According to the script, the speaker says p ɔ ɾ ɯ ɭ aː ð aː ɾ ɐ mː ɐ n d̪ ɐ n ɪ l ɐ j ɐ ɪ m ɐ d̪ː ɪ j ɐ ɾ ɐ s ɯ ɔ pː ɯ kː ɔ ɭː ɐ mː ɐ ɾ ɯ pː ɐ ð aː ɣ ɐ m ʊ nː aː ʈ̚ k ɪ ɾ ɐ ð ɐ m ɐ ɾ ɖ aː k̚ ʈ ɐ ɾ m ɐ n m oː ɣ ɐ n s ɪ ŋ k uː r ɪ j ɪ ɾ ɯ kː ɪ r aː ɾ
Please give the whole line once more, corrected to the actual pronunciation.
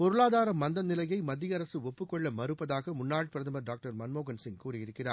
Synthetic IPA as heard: p ɔ ɾ ɯ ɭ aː ð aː ɾ ɐ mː ɐ n d̪ ɐ n ɪ l ɐ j ɐ ɪ m ɐ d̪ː ɪ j ɐ ɾ ɐ s ɯ ɔ pː ɯ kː ɔ ɭː ɐ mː ɐ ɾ ɯ pː ɐ ð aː ɣ ɐ m ʊ nː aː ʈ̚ p ɪ ɾ ɐ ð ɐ m ɐ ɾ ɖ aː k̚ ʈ ɐ ɾ m ɐ n m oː ɣ ɐ n s ɪ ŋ k uː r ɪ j ɪ ɾ ɯ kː ɪ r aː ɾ